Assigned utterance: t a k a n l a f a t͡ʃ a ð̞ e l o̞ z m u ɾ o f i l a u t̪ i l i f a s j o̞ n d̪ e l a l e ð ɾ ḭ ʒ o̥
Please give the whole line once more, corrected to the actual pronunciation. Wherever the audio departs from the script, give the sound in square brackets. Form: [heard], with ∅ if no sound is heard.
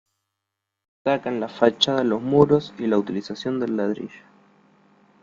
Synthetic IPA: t a k a n l a f a t͡ʃ a ð̞ [a] l o̞ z m u ɾ o [s] i l a u t̪ i l i [s] a s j o̞ n d̪ e l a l [a] ð ɾ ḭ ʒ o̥